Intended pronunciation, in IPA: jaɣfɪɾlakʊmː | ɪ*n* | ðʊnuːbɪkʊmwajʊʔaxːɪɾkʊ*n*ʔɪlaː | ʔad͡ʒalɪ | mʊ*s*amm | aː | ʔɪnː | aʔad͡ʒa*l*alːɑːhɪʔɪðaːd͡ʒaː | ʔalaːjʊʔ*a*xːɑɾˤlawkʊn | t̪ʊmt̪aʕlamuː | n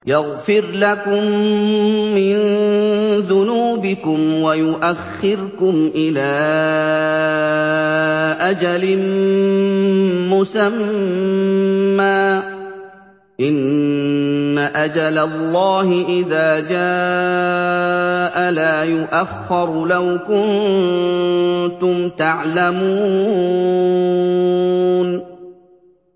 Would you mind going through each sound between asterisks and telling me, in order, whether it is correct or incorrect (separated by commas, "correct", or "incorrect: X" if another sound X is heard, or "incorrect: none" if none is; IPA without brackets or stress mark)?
correct, incorrect: m, correct, correct, correct